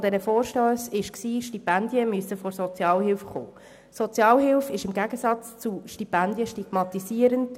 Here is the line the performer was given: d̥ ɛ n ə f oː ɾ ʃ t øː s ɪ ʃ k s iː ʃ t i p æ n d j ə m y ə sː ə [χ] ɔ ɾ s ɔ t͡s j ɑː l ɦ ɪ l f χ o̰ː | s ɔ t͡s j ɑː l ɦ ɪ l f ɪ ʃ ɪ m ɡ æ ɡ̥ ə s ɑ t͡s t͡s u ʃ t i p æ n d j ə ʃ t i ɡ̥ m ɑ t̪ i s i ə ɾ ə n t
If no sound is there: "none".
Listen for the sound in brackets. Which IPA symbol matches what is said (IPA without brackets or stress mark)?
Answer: f